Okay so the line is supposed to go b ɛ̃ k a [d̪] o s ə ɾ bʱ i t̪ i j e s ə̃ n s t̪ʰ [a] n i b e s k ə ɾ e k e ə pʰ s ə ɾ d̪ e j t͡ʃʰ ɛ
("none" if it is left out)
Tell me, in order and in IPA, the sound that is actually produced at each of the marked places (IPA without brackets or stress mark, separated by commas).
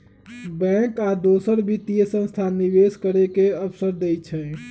d̪, a